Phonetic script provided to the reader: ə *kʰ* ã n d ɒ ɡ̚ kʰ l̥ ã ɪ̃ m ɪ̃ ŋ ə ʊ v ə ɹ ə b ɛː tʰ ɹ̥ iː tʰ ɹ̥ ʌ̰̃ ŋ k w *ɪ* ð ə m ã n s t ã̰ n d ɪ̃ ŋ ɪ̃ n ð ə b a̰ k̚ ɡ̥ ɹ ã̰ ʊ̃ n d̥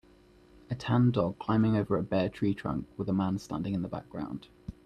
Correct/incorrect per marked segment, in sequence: incorrect: tʰ, correct

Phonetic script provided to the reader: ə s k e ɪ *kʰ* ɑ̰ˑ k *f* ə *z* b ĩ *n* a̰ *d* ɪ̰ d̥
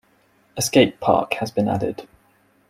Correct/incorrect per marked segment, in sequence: incorrect: pʰ, incorrect: h, correct, correct, correct

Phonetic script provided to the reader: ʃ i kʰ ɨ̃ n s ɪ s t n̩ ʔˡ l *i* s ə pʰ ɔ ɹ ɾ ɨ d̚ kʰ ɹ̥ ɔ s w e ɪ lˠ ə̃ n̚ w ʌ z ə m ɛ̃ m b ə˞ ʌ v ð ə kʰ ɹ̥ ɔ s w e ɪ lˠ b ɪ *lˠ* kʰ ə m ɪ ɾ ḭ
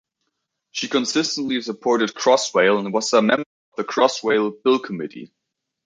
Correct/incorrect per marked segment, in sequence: correct, correct

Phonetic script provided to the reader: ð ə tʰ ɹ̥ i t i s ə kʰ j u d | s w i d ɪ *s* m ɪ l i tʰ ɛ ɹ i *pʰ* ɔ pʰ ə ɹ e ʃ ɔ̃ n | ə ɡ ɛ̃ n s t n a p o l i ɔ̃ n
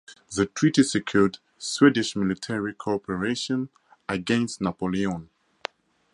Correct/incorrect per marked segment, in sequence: incorrect: ʃ, incorrect: kʰ

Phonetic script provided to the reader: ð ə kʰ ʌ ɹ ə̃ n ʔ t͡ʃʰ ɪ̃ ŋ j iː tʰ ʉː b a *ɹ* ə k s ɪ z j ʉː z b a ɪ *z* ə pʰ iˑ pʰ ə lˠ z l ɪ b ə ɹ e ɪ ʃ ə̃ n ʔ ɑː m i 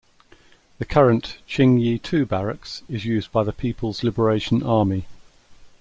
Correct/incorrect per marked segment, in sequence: correct, incorrect: ð

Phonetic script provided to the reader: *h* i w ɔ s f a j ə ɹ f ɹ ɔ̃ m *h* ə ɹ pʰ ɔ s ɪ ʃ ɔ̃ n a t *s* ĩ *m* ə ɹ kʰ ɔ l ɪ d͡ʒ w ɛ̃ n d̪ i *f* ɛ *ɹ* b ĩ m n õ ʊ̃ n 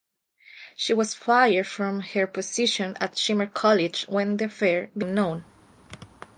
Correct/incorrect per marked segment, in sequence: incorrect: ʃ, correct, incorrect: ʃ, correct, correct, correct

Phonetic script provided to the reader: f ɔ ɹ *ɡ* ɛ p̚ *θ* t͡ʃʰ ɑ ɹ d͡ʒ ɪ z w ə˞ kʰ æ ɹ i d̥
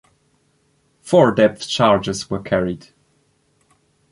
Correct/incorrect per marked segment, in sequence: incorrect: d, correct

